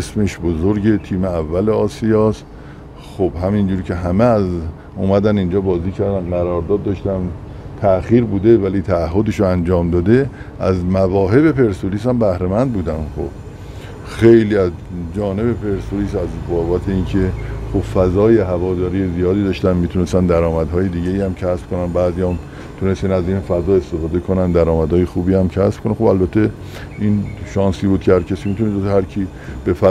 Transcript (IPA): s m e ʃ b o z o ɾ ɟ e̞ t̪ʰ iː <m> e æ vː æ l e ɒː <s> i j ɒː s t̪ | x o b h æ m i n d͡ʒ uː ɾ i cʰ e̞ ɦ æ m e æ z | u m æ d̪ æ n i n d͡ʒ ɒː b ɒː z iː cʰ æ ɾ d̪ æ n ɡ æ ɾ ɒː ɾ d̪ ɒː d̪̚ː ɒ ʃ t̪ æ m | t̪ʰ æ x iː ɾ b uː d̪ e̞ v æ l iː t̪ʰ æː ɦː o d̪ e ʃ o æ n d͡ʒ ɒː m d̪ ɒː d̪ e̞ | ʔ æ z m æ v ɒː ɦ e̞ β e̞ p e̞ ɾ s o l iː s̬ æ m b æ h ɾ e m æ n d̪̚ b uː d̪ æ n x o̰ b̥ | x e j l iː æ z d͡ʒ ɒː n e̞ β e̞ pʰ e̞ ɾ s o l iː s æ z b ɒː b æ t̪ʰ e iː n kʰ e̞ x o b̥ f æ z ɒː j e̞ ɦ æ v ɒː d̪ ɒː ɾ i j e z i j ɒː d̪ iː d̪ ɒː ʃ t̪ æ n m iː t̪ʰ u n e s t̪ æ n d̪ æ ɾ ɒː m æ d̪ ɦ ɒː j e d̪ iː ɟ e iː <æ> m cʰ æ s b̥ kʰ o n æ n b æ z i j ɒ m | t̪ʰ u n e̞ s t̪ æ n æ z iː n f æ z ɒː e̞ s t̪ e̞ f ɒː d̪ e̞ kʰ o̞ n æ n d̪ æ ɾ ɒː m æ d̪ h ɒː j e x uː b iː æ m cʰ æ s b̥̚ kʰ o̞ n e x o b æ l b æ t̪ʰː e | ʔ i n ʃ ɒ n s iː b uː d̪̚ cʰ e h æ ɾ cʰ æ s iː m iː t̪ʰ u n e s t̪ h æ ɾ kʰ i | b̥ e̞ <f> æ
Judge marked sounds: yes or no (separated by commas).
yes, yes, yes, yes